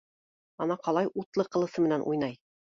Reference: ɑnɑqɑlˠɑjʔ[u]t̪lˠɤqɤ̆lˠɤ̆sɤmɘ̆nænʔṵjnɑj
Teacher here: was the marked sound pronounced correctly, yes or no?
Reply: yes